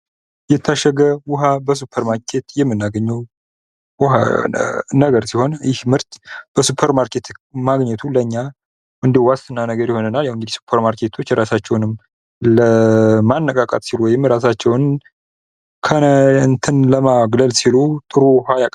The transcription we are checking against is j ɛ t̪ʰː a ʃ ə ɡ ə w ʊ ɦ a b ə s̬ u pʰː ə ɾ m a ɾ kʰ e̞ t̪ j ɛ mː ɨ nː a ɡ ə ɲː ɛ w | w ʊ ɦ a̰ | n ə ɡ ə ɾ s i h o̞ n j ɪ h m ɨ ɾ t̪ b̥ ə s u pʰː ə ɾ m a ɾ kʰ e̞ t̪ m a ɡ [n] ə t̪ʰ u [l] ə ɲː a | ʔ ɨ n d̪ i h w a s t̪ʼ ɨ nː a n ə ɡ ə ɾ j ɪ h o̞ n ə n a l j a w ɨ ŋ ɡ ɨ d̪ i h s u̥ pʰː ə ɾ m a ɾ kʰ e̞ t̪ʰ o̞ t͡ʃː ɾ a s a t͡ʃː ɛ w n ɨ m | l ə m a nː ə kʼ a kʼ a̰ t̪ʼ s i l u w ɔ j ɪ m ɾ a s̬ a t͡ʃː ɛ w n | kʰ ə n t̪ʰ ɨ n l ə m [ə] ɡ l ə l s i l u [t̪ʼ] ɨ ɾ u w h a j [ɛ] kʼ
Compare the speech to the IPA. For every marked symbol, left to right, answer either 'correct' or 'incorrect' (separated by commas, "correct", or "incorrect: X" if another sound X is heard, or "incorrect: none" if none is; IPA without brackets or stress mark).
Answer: incorrect: ɲ, correct, incorrect: a, correct, incorrect: a